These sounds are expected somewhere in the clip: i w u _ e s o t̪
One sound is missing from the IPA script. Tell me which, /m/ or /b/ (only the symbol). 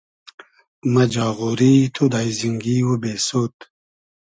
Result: b